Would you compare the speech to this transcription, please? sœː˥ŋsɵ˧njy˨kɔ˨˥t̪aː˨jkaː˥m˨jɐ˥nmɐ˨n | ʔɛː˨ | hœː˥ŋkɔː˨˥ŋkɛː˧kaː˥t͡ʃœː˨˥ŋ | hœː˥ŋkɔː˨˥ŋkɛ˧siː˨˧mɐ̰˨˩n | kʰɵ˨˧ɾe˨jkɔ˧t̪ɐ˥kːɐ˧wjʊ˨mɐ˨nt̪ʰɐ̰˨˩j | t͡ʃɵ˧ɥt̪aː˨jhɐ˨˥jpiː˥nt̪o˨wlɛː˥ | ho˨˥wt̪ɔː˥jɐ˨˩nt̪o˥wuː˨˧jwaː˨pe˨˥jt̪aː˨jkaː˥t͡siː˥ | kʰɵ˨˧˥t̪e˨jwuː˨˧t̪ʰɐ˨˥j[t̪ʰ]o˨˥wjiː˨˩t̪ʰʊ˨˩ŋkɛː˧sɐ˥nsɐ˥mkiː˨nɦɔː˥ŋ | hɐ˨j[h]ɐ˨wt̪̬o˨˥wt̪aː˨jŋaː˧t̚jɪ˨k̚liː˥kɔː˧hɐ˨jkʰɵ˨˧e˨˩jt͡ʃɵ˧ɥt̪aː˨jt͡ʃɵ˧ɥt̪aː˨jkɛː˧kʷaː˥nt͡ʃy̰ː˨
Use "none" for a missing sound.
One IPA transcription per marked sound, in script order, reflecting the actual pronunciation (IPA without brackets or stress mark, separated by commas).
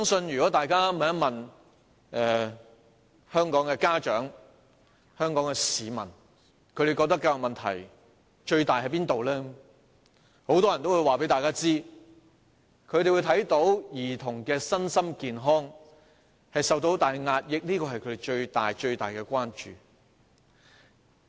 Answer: t̪, s